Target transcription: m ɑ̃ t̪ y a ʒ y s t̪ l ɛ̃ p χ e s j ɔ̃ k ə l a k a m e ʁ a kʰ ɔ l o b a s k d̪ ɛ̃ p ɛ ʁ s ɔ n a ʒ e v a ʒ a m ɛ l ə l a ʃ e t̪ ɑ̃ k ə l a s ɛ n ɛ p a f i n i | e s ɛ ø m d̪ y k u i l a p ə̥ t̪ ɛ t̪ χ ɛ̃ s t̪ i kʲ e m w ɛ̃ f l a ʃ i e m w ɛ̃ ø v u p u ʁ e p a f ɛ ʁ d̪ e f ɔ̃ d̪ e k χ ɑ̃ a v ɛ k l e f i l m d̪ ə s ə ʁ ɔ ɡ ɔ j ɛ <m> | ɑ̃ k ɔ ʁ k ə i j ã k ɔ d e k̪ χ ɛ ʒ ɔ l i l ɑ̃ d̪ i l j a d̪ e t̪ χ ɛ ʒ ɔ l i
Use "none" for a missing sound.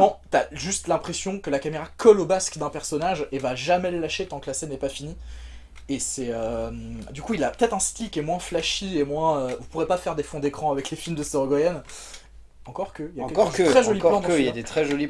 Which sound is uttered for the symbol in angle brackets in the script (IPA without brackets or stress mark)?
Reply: n